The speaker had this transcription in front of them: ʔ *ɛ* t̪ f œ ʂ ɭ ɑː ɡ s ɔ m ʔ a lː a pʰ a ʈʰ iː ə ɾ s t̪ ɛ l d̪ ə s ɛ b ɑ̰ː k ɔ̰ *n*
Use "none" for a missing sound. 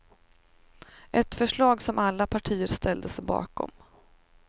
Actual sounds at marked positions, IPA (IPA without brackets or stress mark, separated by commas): ɛ, m